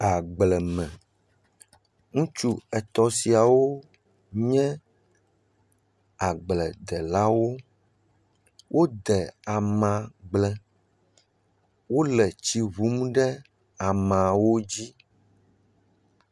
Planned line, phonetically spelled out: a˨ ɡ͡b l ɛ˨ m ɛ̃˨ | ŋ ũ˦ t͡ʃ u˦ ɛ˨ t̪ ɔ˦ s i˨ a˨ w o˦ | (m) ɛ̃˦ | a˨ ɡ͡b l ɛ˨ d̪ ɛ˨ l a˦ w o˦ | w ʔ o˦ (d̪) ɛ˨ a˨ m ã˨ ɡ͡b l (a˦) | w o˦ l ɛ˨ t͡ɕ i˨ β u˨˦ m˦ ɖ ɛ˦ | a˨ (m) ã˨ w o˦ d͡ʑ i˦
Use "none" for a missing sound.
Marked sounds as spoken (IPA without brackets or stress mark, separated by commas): ɲ, d̪, ɛ˦, m